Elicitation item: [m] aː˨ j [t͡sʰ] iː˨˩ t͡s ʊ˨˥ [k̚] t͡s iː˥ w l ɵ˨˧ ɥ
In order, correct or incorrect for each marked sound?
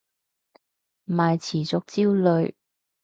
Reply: correct, correct, correct

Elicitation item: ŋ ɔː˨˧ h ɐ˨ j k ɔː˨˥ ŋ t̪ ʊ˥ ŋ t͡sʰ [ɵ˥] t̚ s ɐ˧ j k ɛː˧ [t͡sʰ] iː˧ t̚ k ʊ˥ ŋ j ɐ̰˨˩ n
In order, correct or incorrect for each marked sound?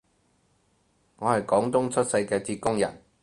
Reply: correct, incorrect

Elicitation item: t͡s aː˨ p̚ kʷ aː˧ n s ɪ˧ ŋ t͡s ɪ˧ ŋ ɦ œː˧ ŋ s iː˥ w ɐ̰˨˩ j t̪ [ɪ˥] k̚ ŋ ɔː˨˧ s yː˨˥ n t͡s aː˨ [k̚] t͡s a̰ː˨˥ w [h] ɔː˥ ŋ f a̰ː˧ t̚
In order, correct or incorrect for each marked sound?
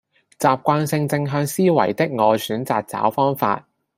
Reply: correct, correct, incorrect

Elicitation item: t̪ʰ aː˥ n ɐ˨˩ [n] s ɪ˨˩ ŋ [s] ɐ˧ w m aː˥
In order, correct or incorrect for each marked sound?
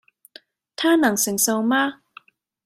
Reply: incorrect, correct

